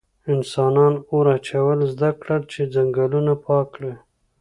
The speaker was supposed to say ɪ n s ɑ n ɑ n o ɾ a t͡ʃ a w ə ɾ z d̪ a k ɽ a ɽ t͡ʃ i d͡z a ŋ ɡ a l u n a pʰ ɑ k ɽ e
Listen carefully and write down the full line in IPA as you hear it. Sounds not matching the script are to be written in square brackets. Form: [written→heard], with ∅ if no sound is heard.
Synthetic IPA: ɪ n s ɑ n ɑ n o ɾ a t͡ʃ a w ə [ɾ→l] z d̪ a k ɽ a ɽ t͡ʃ [i→e] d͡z a ŋ ɡ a l u n a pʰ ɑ k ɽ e